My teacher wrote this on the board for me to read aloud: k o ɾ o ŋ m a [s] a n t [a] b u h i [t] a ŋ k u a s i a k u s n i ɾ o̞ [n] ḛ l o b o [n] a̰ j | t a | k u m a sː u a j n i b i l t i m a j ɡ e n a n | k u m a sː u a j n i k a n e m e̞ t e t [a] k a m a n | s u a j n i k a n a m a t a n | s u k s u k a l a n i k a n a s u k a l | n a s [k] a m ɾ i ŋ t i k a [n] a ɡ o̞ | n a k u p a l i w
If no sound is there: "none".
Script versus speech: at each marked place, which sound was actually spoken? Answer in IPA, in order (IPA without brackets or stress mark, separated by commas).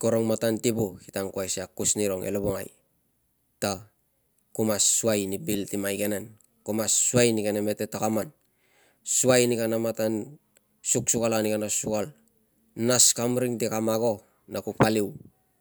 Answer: t, i, t, ŋ, ŋ, a, k, m